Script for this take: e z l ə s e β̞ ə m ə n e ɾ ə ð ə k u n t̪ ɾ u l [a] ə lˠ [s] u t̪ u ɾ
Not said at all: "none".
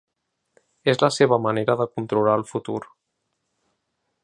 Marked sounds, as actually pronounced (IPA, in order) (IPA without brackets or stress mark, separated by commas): a, f